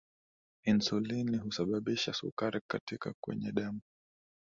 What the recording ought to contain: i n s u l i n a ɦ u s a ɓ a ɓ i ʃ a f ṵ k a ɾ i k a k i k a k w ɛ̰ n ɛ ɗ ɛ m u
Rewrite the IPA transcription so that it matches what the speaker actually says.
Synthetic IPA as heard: i n s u l i n i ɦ u s a ɓ a ɓ i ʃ a s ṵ k a ɾ i k a t i k a k w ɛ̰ ɲ ɛ ɗ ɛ m u